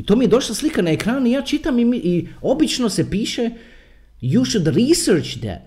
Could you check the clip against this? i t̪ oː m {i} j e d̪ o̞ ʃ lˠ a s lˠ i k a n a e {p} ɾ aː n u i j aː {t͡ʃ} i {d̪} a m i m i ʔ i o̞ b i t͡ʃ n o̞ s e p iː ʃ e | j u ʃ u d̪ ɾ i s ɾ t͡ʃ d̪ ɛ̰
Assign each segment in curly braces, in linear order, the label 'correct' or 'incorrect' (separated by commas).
correct, incorrect, correct, incorrect